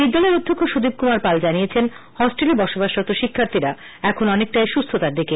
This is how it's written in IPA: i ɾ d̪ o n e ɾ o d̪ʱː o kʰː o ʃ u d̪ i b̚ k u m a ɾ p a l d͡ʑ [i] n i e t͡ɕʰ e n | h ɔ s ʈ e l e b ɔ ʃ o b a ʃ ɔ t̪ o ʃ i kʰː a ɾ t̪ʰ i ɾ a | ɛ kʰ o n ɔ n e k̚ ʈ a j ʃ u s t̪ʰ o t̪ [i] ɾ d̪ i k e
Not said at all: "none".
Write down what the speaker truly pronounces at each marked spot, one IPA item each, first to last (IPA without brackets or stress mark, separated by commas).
a, a